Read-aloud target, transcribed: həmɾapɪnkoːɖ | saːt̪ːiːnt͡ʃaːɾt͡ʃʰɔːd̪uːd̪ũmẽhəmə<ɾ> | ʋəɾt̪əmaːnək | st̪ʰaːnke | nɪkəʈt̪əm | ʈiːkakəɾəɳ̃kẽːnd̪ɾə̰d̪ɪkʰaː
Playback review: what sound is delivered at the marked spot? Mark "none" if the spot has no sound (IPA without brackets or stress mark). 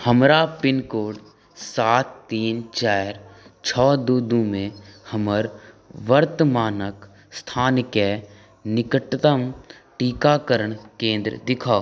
ɾ